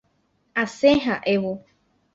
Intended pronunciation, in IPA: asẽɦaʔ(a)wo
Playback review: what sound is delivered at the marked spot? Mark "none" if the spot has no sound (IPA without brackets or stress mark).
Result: e